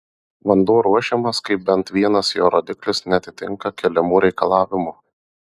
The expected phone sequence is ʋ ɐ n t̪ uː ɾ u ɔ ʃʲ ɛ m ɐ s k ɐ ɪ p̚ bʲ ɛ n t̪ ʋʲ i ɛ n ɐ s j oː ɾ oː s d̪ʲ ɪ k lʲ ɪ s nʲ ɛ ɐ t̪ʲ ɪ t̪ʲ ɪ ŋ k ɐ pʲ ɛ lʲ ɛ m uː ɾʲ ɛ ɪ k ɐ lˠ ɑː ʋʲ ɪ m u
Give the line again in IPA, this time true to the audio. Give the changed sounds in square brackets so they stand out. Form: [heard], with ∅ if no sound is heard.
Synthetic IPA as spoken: ʋ ɐ n [d̪] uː ɾ u ɔ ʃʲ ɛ m ɐ s k ɐ ɪ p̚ bʲ ɛ n t̪ ʋʲ i ɛ n ɐ s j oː ɾ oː [∅] d̪ʲ ɪ k lʲ ɪ s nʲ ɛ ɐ t̪ʲ ɪ t̪ʲ ɪ ŋ k ɐ [kʲ] ɛ lʲ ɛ m uː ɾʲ ɛ ɪ k ɐ lˠ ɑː ʋʲ ɪ m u